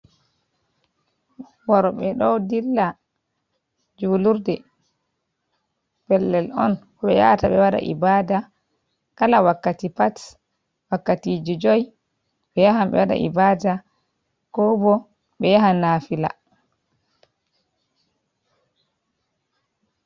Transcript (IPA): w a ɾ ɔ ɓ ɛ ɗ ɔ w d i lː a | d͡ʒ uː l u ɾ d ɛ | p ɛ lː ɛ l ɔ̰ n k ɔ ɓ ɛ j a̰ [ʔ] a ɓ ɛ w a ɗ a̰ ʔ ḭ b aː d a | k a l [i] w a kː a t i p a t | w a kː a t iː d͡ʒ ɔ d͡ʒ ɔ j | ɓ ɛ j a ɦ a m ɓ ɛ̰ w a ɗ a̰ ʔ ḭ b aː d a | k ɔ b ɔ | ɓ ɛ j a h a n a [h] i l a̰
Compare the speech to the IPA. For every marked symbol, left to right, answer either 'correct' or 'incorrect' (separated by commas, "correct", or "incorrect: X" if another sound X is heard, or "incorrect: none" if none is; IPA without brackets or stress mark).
incorrect: t, incorrect: a, incorrect: f